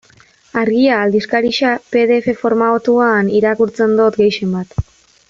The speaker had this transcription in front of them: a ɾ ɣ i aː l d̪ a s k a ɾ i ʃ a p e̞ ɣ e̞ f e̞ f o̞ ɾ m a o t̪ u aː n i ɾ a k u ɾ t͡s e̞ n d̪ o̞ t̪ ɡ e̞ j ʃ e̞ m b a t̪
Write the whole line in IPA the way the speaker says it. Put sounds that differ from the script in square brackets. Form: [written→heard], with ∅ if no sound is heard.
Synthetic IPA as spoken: a ɾ ɣ i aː l d̪ [a→i] s k a ɾ i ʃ a p e̞ [ɣ→ð] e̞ f e̞ f o̞ ɾ m a o t̪ u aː n i ɾ a k u ɾ t͡s e̞ n d̪ o̞ t̪ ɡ e̞ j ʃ e̞ m b a t̪